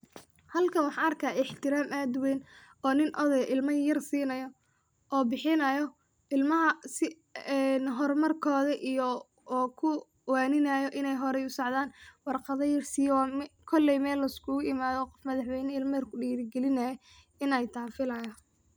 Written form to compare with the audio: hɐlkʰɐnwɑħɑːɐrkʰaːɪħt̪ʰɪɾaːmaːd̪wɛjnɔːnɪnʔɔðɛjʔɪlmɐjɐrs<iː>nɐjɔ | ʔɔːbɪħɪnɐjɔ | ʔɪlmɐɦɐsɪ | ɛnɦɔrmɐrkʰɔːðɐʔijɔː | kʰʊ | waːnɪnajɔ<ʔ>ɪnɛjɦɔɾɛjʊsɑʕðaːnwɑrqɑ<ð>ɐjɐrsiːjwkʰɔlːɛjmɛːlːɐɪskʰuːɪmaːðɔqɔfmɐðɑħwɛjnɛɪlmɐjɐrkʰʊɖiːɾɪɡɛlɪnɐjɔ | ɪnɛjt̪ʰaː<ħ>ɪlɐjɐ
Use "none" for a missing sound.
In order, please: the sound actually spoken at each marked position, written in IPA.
iː, ʔ, ð, f

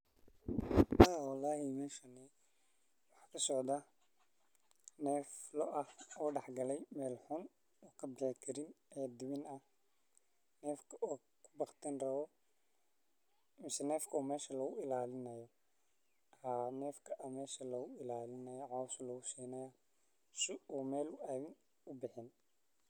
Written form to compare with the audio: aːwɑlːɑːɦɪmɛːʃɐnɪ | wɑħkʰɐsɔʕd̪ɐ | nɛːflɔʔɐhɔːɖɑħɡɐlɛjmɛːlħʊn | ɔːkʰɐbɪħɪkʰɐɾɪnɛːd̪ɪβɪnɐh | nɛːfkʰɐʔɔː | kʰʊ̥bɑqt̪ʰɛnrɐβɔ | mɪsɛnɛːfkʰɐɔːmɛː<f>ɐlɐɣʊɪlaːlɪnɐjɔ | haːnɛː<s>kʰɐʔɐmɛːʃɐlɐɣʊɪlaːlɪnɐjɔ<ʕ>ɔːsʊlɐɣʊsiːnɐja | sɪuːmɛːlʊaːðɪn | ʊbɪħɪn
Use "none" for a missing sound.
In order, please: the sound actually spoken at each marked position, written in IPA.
ʃ, f, ʕ

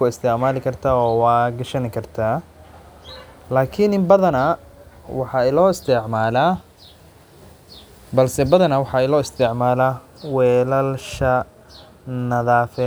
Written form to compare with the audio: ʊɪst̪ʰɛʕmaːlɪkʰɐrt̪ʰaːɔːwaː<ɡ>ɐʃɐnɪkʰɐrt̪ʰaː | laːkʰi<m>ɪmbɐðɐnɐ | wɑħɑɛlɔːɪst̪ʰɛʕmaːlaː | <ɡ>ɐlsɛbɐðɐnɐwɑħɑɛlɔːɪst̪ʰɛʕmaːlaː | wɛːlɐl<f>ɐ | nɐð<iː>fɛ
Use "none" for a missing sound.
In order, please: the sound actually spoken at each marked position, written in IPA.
ɡ, n, b, ʃ, aː

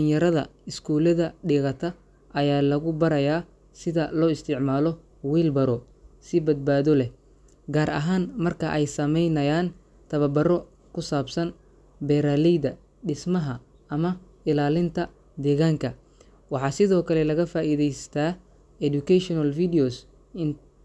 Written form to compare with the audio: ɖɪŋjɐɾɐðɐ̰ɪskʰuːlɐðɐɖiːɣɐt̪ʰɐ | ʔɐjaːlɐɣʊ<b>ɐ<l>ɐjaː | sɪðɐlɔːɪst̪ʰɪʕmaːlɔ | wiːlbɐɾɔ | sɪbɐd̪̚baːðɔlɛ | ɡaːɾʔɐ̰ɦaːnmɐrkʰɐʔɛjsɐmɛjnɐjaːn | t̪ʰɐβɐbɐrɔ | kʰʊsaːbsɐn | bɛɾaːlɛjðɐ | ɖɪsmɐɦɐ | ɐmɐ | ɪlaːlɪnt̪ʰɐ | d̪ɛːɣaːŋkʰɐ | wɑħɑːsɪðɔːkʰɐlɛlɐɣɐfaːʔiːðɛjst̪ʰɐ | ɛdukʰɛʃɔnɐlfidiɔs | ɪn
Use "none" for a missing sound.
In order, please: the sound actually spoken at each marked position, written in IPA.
b, ɾ

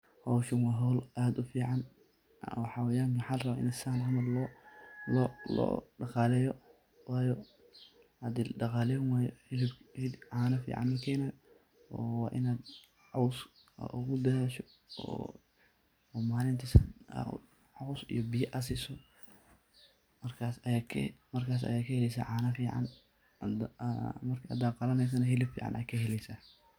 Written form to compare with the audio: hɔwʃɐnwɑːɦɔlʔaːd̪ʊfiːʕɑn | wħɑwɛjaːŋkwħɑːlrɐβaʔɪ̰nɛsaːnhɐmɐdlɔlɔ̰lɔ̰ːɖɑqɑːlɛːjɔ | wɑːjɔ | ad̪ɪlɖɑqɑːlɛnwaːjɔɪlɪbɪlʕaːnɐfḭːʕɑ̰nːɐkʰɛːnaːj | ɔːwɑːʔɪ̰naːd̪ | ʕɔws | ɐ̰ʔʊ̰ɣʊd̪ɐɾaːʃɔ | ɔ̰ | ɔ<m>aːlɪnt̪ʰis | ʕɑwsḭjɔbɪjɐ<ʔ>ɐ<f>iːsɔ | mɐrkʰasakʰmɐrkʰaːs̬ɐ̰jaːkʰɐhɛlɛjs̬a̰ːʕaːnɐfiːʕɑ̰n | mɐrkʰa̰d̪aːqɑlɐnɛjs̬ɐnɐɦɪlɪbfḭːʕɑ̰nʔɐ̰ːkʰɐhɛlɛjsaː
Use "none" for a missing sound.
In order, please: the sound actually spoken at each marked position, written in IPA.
m, ʔ, s

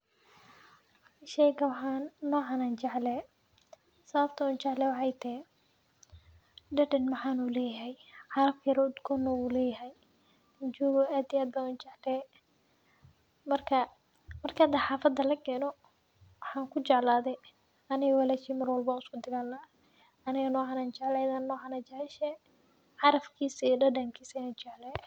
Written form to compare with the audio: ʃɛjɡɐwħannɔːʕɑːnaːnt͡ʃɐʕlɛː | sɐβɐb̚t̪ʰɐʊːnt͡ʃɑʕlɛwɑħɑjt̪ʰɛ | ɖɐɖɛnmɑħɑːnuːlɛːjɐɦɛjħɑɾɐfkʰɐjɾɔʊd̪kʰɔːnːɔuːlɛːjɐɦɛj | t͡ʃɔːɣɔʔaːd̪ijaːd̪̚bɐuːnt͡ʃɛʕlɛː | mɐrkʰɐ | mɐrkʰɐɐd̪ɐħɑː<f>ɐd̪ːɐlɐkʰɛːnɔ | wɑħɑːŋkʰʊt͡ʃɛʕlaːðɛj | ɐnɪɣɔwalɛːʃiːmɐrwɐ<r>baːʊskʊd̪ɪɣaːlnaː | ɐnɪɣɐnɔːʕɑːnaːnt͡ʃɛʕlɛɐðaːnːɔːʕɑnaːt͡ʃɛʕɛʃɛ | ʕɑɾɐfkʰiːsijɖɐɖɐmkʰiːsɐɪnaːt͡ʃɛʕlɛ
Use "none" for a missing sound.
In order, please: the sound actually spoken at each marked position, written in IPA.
f, l

